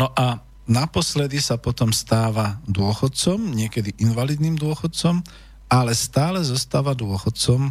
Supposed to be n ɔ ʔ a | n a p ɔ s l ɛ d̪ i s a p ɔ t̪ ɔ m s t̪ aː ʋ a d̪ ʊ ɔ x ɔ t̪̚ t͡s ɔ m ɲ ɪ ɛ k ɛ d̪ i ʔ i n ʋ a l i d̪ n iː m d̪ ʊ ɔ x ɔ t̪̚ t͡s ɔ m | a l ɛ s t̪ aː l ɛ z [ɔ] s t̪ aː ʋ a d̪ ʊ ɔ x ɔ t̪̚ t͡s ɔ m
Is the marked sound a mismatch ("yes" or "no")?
no